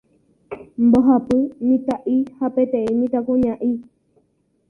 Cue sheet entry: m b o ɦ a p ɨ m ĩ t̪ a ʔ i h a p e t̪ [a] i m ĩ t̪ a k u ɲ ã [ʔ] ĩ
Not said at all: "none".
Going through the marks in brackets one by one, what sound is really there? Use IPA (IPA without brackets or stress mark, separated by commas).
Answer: e, ʔ